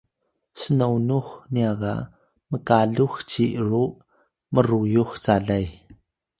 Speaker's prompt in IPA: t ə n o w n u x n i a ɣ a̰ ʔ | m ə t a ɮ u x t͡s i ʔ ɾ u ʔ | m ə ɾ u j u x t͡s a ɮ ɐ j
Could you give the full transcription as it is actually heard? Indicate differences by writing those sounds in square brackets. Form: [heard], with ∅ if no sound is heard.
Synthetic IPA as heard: [s] ə n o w n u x n i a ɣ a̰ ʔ | m ə [k] a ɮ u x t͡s i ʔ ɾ u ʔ | m ə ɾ u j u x t͡s a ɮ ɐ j